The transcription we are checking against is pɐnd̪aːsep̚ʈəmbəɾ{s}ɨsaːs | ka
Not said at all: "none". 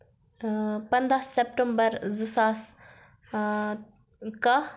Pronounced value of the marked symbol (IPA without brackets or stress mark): z